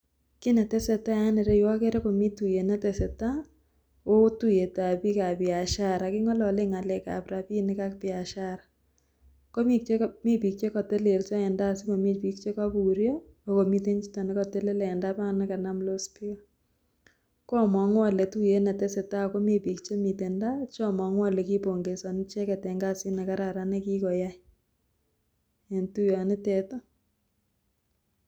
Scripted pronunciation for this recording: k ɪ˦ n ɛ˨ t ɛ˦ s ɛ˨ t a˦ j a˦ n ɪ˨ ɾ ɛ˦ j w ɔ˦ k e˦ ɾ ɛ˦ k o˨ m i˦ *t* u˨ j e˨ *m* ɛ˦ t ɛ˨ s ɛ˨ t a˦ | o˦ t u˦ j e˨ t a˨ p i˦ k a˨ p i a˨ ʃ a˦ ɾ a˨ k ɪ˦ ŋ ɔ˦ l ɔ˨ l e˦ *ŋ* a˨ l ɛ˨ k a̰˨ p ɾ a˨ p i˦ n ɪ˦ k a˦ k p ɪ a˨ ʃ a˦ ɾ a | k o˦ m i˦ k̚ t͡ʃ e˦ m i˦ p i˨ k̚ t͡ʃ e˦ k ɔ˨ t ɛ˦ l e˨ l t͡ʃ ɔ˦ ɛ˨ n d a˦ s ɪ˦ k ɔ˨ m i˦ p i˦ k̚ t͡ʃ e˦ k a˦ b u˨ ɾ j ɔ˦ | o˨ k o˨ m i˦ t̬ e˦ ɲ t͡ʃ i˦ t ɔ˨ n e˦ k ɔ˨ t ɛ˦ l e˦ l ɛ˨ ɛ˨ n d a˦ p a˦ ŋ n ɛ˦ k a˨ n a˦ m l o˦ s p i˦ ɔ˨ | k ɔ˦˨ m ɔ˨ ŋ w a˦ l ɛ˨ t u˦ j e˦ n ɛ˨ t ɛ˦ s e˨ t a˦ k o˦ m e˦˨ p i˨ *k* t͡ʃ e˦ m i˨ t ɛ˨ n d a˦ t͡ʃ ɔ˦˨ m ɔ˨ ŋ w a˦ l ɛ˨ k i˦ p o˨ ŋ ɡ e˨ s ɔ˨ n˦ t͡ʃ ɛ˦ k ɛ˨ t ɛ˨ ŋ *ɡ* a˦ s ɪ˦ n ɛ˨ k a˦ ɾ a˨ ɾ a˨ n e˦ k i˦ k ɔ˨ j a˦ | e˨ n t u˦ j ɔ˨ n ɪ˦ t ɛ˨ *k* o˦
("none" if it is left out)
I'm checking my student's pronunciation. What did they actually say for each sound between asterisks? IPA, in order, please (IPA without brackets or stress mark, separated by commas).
t, n, ŋ, k, ɡ, t